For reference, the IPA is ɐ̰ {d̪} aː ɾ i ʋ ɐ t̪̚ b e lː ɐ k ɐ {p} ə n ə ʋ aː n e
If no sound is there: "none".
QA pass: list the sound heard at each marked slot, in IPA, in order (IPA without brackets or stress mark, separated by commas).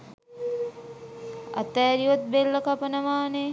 t̪, p